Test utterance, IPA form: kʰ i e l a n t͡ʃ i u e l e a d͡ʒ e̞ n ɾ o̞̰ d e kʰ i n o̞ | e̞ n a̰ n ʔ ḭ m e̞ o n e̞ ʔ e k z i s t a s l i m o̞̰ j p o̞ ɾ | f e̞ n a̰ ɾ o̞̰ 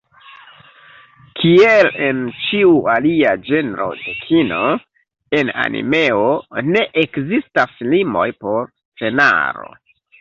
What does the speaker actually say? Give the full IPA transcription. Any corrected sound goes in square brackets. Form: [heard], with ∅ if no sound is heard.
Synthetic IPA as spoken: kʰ i e l [e] n t͡ʃ i u [a] l [i] a d͡ʒ e̞ n ɾ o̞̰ d e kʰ i n o̞ | e̞ n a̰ n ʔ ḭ m e̞ o n e̞ ʔ e k z i s t a s l i m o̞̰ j p o̞ ɾ | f e̞ n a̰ ɾ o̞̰